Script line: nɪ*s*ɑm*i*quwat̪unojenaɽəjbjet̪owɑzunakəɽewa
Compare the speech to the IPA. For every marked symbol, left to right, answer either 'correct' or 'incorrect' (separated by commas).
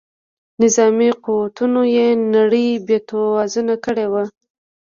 incorrect, correct